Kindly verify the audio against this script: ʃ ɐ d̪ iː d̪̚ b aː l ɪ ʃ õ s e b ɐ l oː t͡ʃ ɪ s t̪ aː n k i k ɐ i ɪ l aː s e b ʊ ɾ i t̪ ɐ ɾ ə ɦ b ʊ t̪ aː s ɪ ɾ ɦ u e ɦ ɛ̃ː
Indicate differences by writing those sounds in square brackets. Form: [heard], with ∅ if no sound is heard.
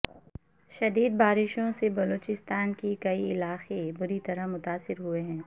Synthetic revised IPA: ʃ ɐ d̪ iː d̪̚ b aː [ɾ] ɪ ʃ õ s e b ɐ l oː t͡ʃ ɪ s t̪ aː n k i k ɐ i ɪ l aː [x] e b ʊ ɾ i t̪ ɐ ɾ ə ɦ [m] ʊ t̪ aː s ɪ ɾ ɦ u e ɦ ɛ̃ː